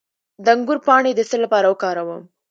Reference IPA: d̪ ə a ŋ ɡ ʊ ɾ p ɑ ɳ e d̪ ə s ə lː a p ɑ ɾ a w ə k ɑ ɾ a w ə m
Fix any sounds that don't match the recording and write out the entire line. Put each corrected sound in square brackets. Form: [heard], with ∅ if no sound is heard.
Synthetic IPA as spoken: d̪ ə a ŋ ɡ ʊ ɾ p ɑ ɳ e d̪ ə s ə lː a p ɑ ɾ a w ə k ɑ ɾ a w ə m